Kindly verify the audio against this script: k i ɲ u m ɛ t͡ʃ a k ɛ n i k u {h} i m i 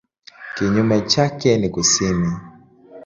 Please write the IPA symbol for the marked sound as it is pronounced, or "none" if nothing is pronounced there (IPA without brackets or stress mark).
s